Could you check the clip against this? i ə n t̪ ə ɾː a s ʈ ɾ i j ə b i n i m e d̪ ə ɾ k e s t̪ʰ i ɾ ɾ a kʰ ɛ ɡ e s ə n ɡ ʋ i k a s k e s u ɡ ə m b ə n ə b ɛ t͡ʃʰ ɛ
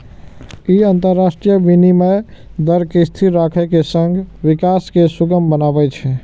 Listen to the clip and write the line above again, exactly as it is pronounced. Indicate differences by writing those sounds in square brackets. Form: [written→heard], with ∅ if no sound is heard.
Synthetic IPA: i ə n t̪ ə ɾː a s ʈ ɾ i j ə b i n i m e d̪ ə ɾ k e s t̪ʰ i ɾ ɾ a kʰ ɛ [ɡ→k] e s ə [n→ŋ] ɡ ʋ i k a s k e s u ɡ ə m b ə n [ə→a] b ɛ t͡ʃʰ ɛ